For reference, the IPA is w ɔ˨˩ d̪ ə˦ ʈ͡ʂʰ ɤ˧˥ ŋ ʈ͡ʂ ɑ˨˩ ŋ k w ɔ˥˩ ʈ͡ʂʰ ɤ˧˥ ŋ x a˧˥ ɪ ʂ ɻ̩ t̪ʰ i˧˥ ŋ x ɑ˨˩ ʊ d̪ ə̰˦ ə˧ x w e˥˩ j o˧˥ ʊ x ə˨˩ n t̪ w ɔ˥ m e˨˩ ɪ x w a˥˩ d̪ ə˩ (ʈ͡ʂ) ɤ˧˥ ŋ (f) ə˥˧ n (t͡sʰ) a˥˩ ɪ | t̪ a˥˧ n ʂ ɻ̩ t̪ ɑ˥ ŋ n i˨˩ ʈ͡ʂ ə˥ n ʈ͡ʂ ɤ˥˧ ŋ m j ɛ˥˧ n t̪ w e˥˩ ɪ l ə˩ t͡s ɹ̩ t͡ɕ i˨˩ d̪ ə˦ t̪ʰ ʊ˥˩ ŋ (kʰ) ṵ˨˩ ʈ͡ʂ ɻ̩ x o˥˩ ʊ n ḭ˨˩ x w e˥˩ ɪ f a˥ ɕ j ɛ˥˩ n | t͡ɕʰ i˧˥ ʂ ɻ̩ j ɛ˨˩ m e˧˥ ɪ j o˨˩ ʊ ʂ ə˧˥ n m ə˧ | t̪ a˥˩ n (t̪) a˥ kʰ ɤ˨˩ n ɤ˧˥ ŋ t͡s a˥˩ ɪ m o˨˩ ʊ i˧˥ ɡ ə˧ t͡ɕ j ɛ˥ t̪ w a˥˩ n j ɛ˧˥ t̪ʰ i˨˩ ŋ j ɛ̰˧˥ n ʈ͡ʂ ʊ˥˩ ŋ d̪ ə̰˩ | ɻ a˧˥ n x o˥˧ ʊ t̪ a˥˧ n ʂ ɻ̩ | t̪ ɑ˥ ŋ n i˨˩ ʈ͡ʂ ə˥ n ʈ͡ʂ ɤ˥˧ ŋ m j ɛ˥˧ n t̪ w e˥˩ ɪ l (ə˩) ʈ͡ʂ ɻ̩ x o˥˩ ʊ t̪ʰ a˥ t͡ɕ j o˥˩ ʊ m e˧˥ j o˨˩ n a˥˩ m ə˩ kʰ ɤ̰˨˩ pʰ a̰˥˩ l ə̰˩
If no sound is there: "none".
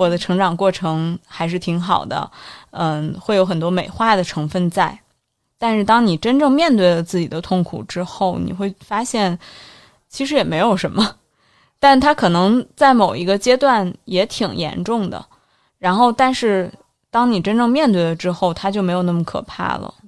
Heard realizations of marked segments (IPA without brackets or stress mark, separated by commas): ʈ͡ʂʰ, f, t͡s, kʰ, t̪ʰ, ə˩